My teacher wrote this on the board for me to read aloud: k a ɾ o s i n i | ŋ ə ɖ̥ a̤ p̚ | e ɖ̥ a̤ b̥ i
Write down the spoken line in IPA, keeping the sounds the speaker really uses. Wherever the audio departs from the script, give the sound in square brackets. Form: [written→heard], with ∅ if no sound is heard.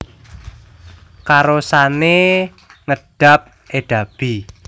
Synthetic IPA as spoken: k a ɾ o s [i→a] n [i→e] | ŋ ə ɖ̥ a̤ p̚ | e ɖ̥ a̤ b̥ i